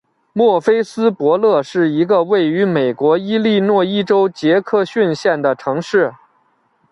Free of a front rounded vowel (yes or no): no